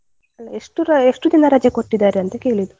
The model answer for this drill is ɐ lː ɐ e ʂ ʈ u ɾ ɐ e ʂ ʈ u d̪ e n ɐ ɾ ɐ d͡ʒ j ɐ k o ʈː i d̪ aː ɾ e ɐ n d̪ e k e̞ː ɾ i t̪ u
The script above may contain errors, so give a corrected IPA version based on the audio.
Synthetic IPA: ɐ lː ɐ e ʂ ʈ u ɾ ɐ e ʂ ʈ u d̪ i n ɐ ɾ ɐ d͡ʒ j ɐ k o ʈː i d̪ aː ɾ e ɐ n t̪ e k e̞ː ɭ i d̪ u